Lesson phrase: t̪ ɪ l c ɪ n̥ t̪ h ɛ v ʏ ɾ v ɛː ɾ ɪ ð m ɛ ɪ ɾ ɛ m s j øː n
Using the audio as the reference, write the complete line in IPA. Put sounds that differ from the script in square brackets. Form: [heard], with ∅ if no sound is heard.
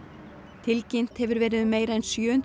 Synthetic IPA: [t̪ʰ] ɪ l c ɪ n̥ t̪ h ɛ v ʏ ɾ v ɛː ɾ ɪ ð m [e] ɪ ɾ ɛ [n] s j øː n